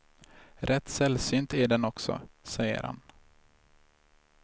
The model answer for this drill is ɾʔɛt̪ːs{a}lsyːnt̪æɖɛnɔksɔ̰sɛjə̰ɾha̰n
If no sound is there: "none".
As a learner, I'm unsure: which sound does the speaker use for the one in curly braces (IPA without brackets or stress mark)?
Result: ɛ